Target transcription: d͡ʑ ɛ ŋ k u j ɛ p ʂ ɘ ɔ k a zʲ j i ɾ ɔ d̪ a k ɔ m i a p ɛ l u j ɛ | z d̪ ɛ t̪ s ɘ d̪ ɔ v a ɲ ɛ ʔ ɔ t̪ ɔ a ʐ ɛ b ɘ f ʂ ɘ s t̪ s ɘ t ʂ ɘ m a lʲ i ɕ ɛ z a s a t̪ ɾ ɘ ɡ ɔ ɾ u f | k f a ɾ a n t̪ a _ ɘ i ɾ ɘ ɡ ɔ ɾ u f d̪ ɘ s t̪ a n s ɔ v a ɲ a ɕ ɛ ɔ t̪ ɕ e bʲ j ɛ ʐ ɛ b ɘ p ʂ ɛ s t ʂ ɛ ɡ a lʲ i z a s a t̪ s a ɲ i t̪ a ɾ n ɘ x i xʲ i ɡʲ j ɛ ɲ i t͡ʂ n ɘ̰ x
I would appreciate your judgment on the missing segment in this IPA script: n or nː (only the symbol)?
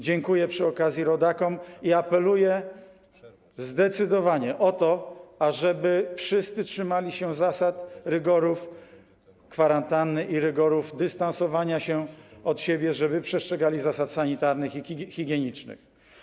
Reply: nː